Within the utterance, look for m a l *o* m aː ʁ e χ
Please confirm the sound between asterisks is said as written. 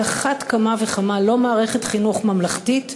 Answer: yes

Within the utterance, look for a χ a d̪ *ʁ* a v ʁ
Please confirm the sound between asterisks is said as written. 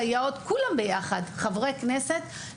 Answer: no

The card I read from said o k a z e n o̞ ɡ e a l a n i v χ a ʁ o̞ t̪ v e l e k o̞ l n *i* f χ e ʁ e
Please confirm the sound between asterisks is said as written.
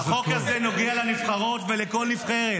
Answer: yes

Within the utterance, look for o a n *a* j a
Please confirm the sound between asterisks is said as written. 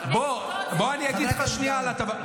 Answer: no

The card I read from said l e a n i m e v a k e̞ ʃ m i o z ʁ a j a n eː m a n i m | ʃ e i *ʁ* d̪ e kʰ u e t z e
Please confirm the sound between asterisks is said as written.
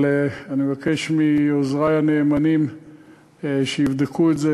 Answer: no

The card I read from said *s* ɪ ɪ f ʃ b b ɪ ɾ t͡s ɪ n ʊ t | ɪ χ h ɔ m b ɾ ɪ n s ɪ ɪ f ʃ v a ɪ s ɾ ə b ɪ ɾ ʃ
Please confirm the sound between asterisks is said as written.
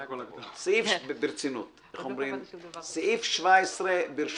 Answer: yes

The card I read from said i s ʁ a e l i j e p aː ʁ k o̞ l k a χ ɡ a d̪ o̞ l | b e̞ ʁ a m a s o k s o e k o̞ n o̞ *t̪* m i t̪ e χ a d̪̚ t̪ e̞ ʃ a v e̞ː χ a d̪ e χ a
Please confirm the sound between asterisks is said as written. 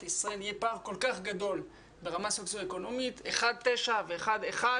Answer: no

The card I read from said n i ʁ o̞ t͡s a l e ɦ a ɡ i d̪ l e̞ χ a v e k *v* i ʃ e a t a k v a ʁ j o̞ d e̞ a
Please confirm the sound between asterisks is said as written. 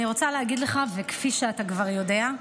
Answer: no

